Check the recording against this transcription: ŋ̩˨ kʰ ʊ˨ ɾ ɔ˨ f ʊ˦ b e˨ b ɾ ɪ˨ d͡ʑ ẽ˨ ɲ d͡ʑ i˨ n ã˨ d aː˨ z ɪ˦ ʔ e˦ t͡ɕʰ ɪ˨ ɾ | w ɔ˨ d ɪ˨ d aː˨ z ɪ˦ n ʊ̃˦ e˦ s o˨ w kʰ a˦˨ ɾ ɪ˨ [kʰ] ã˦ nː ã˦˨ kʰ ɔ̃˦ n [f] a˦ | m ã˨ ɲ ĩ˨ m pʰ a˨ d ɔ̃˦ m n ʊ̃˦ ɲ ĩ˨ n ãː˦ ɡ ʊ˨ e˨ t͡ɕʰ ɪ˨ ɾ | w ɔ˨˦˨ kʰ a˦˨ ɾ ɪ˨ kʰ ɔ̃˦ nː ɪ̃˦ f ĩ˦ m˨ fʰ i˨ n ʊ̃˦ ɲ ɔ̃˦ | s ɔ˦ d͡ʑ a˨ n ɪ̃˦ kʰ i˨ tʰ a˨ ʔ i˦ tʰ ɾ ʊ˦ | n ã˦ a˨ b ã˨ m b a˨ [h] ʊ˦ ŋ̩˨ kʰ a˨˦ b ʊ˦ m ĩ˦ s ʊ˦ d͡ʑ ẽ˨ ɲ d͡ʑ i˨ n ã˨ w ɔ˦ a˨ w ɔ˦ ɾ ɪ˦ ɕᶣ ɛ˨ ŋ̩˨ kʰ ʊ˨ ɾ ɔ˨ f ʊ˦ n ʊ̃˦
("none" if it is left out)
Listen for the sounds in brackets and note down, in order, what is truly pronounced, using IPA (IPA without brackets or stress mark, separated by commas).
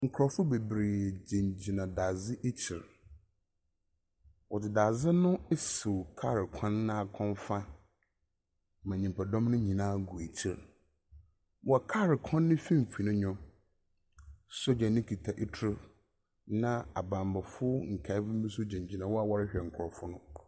kʰ, f, f